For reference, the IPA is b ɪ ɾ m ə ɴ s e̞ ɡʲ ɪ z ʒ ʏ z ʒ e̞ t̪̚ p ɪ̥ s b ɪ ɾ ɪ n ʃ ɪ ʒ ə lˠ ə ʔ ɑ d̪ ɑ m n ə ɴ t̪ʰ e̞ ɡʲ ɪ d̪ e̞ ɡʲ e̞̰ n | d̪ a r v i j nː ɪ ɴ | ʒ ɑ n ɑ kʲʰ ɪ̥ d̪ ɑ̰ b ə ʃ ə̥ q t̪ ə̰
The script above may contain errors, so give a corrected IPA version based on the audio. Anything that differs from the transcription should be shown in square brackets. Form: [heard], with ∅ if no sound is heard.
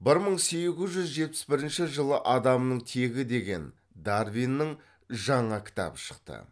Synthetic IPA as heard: b ɪ ɾ m ə ɴ s e̞ ɡʲ ɪ z ʒ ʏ z ʒ e̞ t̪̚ p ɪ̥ s b ɪ ɾ ɪ n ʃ ɪ ʒ ə lˠ ə ʔ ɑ d̪ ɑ m n ə ɴ t̪ʰ e̞ ɡʲ ɪ d̪ e̞ ɡʲ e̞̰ n | d̪ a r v i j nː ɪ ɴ | ʒ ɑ [ɴ] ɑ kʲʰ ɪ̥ [t̪] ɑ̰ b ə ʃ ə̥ q t̪ ə̰

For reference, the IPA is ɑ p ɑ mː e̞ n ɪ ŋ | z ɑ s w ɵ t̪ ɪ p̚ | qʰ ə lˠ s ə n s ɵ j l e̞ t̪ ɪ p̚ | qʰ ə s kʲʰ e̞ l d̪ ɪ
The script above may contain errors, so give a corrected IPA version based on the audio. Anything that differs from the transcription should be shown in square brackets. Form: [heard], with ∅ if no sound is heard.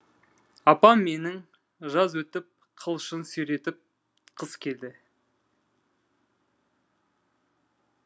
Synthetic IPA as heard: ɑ p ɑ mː e̞ n ɪ ŋ | [ʒ] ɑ [z] w ɵ t̪ ɪ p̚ | qʰ ə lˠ [ʃ] ə n s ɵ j [ɾ] e̞ t̪ ɪ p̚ | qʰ ə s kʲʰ e̞ l d̪ ɪ

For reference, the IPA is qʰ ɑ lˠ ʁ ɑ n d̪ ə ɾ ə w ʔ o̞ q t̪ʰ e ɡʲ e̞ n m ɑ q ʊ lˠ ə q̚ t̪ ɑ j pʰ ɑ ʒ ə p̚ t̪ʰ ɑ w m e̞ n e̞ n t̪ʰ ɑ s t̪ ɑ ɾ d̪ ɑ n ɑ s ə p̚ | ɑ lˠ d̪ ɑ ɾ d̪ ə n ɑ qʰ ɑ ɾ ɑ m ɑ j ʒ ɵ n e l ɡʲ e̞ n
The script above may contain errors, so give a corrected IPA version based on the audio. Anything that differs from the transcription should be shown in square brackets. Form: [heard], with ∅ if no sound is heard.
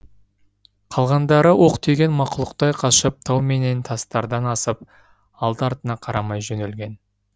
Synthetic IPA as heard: qʰ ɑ lˠ ʁ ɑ n d̪ [ɑ] ɾ ə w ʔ o̞ q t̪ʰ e ɡʲ e̞ n m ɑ q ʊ lˠ ə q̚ t̪ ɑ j [qʰ] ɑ [ʃ] ə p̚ t̪ʰ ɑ w m e̞ n e̞ n t̪ʰ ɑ s t̪ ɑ ɾ d̪ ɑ n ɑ s ə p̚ | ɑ lˠ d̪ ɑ ɾ [t̪] ə n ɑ qʰ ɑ ɾ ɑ m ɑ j ʒ ɵ n e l ɡʲ e̞ n

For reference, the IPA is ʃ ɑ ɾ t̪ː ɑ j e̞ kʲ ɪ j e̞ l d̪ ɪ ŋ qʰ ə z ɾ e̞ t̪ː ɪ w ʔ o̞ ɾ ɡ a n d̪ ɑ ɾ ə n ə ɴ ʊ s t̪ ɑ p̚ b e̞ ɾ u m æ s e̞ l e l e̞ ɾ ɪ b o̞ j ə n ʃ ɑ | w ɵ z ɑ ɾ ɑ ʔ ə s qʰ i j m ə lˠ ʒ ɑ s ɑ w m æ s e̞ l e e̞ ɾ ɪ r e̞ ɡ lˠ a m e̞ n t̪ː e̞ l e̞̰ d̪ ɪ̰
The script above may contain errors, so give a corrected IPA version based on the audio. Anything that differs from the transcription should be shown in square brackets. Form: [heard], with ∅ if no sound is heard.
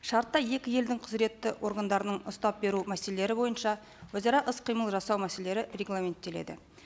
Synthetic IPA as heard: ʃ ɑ ɾ t̪ː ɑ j e̞ kʲ ɪ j e̞ l d̪ ɪ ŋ qʰ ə z ɾ e̞ t̪ː ɪ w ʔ o̞ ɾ ɡ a n d̪ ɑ ɾ ə n ə ɴ ʊ s t̪ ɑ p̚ b e̞ ɾ u m æ s e̞ l e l e̞ ɾ ɪ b o̞ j ə n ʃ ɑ | w ɵ z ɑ ɾ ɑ ʔ ə s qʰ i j m ə lˠ ʒ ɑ s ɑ w m æ s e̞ l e e̞ ɾ ɪ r e̞ ɡ lˠ a m e̞ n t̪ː e̞ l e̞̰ d̪ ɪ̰

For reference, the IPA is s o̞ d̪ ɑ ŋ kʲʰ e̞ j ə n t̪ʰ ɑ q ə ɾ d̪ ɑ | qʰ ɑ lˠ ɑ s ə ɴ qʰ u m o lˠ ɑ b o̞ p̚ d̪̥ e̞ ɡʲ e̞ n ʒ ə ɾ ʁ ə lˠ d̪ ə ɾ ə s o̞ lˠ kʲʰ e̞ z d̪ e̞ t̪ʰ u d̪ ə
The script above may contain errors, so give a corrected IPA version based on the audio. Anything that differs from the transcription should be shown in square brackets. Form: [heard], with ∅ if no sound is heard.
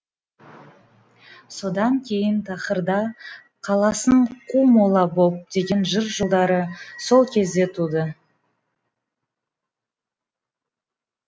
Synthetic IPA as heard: s o̞ d̪ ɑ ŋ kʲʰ e̞ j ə n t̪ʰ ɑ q ə ɾ d̪ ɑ | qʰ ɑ lˠ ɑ s ə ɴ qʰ u m o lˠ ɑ b o̞ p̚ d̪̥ e̞ ɡʲ e̞ n ʒ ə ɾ [ʒ] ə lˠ d̪ [ɑ] ɾ ə s o̞ lˠ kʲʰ e̞ z d̪ e̞ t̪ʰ u d̪ ə

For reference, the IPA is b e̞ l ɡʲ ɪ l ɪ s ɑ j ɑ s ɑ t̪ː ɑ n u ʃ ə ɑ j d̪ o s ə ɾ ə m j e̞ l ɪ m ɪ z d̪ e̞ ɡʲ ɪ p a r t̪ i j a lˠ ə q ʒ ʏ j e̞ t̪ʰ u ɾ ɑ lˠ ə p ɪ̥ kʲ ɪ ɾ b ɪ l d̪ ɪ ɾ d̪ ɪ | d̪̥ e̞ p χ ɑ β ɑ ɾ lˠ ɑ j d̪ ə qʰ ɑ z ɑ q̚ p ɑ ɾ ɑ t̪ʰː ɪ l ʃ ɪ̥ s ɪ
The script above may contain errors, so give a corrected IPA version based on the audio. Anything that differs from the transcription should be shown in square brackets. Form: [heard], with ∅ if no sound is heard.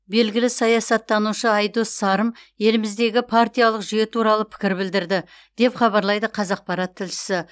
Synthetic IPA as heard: b e̞ l ɡʲ ɪ l ɪ s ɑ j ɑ s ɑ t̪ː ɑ n u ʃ ə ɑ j d̪ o s [ɑ] ɾ ə m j e̞ l ɪ m ɪ z d̪ e̞ ɡʲ ɪ [pʰ] a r t̪ i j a lˠ ə q ʒ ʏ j e̞ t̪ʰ u ɾ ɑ lˠ ə [pʰ] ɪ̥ kʲ ɪ ɾ b ɪ l d̪ ɪ ɾ d̪ ɪ | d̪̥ e̞ p χ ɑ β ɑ ɾ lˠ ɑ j d̪ ə qʰ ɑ z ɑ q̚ p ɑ ɾ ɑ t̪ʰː ɪ l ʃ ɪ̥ s ɪ

